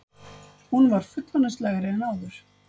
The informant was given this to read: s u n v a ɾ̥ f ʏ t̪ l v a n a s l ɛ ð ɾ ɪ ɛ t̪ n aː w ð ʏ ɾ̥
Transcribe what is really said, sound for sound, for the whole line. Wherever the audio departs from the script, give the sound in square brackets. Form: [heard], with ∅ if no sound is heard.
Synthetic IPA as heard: [h] u n v a ɾ̥ f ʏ t̪ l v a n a s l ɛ [ɣ] ɾ ɪ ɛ [∅] n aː w ð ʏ ɾ̥